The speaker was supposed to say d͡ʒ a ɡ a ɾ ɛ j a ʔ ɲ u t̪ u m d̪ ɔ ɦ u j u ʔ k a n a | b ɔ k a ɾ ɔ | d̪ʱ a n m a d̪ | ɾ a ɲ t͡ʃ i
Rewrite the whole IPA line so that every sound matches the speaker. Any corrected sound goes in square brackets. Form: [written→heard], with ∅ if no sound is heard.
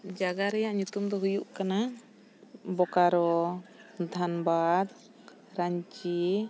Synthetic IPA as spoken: d͡ʒ a ɡ a ɾ ɛ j a ʔ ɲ u t̪ u m d̪ ɔ ɦ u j u ʔ k a n a | b ɔ k a ɾ ɔ | d̪ʱ a n [m→b] a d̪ | ɾ a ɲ t͡ʃ i